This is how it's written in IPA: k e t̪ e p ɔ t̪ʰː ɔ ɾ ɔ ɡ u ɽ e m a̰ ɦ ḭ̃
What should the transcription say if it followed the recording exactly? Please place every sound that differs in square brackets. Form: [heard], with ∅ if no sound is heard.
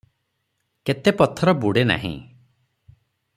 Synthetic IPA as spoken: k e t̪ e p ɔ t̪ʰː ɔ ɾ ɔ [b] u ɽ e [n] a̰ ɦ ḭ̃